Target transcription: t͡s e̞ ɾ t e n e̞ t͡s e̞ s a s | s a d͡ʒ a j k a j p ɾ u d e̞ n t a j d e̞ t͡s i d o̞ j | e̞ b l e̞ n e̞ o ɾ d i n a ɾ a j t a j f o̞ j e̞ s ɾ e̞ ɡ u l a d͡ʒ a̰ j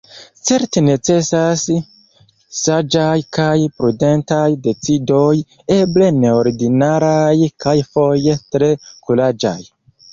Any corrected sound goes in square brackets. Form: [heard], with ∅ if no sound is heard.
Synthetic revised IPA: t͡s e̞ ɾ t e n e̞ t͡s e̞ s a s | s a d͡ʒ a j k a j p ɾ u d e̞ n t a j d e̞ t͡s i d o̞ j | e̞ b l e̞ n e̞ o ɾ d i n a ɾ a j [k] a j f o̞ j e̞ [t] ɾ e̞ [k] u l a d͡ʒ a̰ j

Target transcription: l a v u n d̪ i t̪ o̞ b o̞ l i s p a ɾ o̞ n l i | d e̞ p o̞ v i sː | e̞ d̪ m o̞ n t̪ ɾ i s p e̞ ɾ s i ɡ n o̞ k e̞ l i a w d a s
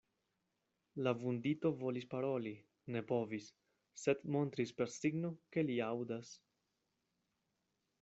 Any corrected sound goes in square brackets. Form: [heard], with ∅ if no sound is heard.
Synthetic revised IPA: l a v u n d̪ i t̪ o̞ [v] o̞ l i s p a ɾ o̞ [∅] l i | [n] e̞ p o̞ v i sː | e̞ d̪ m o̞ n t̪ ɾ i s p e̞ ɾ s i ɡ n o̞ k e̞ l i a w d a s

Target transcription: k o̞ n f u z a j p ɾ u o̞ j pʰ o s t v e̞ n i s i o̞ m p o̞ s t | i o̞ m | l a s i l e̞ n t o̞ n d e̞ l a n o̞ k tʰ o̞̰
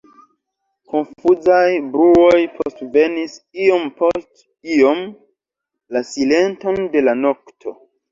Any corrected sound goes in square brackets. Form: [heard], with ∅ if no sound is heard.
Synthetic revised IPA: k o̞ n f u z a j [b] ɾ u o̞ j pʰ o s t v e̞ n i s i o̞ m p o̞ s t | i o̞ m | l a s i l e̞ n t o̞ n d e̞ l a n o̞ k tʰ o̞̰

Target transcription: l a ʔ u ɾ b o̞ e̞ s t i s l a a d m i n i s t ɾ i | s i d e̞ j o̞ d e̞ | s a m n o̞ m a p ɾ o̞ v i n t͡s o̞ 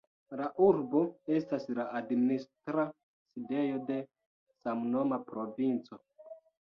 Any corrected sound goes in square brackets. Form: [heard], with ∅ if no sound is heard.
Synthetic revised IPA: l a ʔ u ɾ b o̞ e̞ s t [a] s l a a d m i n i s t ɾ [a] | s i d e̞ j o̞ d e̞ | s a m n o̞ m a p ɾ o̞ v i n t͡s o̞

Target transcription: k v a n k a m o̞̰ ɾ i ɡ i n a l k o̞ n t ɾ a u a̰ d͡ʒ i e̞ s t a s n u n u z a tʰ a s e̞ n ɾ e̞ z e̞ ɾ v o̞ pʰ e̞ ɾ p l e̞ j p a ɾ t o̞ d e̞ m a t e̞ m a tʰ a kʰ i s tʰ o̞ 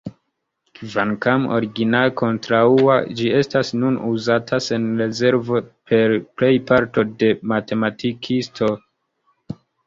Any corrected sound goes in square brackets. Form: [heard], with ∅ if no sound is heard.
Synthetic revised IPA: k v a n k a m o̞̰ ɾ i ɡ i n a l k o̞ n t ɾ a u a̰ d͡ʒ i e̞ s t a s n u n u z a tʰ a s e̞ n ɾ e̞ z e̞ ɾ v o̞ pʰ e̞ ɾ p l e̞ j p a ɾ t o̞ d e̞ m a t e̞ m a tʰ [i] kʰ i s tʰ o̞

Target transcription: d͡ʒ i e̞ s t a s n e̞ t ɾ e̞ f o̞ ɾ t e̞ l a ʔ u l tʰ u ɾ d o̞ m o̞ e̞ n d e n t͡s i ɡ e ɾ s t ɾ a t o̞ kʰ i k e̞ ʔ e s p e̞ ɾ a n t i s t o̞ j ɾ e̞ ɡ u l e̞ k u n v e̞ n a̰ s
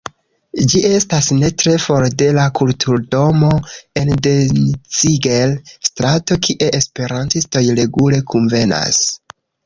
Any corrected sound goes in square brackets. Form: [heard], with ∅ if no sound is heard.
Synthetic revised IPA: d͡ʒ i e̞ s t a s n e̞ t ɾ e̞ f o̞ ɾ [d] e̞ l a [k] u l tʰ u ɾ d o̞ m o̞ e̞ n d e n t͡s i ɡ e [l] s t ɾ a t o̞ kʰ i [ʔ] e̞ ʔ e s p e̞ ɾ a n t i s t o̞ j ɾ e̞ ɡ u l e̞ k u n v e̞ n a̰ s

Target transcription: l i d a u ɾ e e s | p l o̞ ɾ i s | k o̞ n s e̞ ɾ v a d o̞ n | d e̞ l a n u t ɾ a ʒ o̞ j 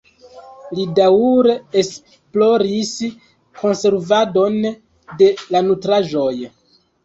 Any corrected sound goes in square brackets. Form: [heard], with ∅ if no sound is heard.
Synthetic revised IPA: l i d a u ɾ e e s | p l o̞ ɾ i s | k o̞ n s e̞ ɾ v a d o̞ n | d e̞ l a n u t ɾ a ʒ o̞ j

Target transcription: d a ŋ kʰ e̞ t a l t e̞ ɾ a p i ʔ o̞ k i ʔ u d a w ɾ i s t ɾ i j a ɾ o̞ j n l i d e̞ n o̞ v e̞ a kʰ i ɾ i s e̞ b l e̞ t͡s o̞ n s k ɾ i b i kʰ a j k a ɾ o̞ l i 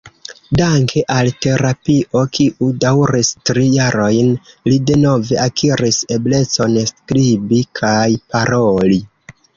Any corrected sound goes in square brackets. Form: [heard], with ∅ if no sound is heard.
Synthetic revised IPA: d a ŋ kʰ e̞ [ʔ] a l t e̞ ɾ a p i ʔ o̞ k i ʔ u d a w ɾ i s t ɾ i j a ɾ o̞ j n l i d e̞ n o̞ v e̞ a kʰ i ɾ i s e̞ b l e̞ t͡s o̞ n s k ɾ i b i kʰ a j [p] a ɾ o̞ l i

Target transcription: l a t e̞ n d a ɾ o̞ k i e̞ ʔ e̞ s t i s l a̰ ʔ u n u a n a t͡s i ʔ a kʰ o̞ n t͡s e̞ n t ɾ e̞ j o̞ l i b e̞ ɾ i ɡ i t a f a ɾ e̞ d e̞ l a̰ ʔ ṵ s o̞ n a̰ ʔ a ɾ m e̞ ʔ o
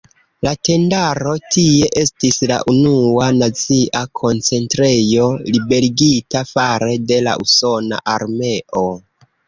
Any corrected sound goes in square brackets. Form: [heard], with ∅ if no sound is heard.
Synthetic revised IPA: l a t e̞ n d a ɾ o̞ [t] i e̞ ʔ e̞ s t i s l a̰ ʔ u n u a n a t͡s i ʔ a kʰ o̞ n t͡s e̞ n t ɾ e̞ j o̞ l i b e̞ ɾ i ɡ i t a f a ɾ e̞ d e̞ l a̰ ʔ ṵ s o̞ n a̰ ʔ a ɾ m e̞ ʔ o

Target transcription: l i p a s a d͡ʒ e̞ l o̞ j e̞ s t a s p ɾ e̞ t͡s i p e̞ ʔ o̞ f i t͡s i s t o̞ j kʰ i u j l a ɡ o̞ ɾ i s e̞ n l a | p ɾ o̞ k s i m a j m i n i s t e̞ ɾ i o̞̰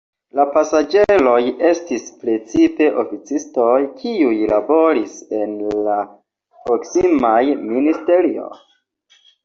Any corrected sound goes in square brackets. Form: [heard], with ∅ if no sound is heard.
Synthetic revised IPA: l [a] p a s a d͡ʒ e̞ l o̞ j e̞ s t [i] s p ɾ e̞ t͡s i p e̞ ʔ o̞ f i t͡s i s t o̞ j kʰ i u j l a [b] o̞ ɾ i s e̞ n l a | p ɾ o̞ k s i m a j m i n i s t e̞ ɾ i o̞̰

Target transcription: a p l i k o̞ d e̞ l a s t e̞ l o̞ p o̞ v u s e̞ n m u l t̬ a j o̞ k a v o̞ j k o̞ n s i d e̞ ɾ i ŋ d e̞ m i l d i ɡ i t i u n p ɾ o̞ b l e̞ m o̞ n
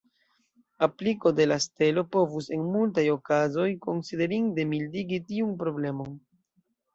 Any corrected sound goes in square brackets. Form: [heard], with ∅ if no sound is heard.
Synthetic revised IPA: a p l i k o̞ d e̞ l a s t e̞ l o̞ p o̞ v u s e̞ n m u l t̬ a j o̞ k a [z] o̞ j k o̞ n s i d e̞ ɾ i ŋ d e̞ m i l d i ɡ i t i u n p ɾ o̞ b l e̞ m o̞ n

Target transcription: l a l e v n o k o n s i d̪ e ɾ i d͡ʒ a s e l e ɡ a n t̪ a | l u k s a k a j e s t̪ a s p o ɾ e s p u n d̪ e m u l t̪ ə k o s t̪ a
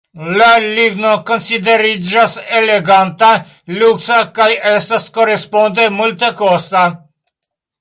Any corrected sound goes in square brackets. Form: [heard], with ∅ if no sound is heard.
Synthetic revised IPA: l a l [i] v n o k o n s i d̪ e ɾ i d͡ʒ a s e l e ɡ a n t̪ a | l u k s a k a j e s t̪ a s [k] o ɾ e s p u n d̪ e m u l t̪ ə k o s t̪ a

